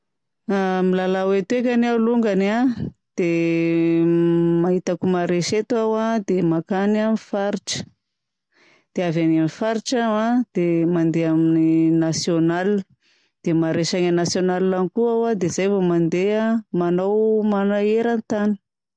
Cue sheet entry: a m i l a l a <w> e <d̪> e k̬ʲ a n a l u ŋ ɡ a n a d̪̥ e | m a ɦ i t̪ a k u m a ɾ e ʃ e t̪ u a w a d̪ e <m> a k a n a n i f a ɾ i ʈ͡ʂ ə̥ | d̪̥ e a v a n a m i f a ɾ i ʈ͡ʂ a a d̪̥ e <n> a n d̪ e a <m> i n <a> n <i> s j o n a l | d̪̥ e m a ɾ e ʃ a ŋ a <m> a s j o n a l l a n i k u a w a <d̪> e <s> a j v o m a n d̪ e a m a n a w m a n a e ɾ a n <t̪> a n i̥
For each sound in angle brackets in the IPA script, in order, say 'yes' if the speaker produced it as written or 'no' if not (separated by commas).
yes, no, yes, no, yes, no, no, no, yes, no, yes